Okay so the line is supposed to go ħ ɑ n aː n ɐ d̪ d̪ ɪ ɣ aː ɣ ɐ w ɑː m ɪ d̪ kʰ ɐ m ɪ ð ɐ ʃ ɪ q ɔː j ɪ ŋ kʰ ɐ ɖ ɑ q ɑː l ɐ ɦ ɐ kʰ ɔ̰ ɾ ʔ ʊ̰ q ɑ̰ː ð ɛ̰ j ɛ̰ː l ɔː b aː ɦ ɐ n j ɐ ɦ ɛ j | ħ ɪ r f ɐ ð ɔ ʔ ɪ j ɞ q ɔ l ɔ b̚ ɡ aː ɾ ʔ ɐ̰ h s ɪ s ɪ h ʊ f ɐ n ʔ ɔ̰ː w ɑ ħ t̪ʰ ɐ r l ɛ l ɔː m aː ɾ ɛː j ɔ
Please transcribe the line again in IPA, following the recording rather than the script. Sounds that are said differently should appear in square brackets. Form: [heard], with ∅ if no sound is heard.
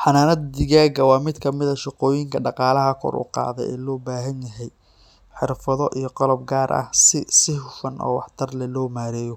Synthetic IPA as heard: ħ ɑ n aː n ɐ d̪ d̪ ɪ ɣ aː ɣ ɐ w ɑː m ɪ d̪ kʰ ɐ m ɪ ð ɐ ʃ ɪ q ɔː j ɪ ŋ kʰ ɐ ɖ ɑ q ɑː l ɐ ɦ ɐ kʰ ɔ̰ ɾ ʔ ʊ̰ q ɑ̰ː ð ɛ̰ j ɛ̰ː l ɔː b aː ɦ ɐ n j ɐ ɦ ɛ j | ħ ɪ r f ɐ ð ɔ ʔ [i] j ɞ q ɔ l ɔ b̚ ɡ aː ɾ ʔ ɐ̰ h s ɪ s ɪ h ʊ f ɐ n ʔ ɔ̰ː w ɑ ħ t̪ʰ ɐ r l ɛ l ɔː m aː ɾ ɛː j ɔ